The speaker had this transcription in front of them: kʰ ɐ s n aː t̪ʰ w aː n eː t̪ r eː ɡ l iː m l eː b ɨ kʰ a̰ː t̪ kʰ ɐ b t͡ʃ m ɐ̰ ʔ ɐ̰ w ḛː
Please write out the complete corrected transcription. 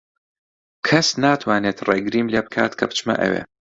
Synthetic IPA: kʰ ɐ s n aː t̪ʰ w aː n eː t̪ r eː ɡ ɾ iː m l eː b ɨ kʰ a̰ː t̪ kʰ ɐ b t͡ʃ m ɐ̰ ʔ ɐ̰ w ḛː